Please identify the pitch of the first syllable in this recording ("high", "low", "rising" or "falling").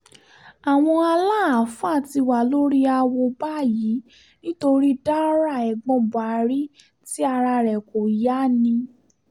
low